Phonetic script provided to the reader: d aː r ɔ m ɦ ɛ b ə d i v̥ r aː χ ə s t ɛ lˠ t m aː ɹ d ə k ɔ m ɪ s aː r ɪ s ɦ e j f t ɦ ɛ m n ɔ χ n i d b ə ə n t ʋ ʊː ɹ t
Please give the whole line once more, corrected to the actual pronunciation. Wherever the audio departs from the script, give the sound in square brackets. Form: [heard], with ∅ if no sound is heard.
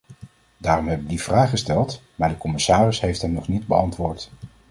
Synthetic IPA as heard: d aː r ɔ m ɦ ɛ b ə d i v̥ r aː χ ə s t ɛ lˠ t m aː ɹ d ə k ɔ m ɪ s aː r ɪ s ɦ e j f t ɦ ɛ m n ɔ χ n i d b ə [ɑ] n t ʋ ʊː ɹ t